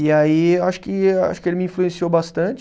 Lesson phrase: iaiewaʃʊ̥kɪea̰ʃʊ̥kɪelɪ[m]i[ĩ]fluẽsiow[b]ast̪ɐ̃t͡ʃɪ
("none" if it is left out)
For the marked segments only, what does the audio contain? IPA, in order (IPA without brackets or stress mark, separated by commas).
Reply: m, ĩ, b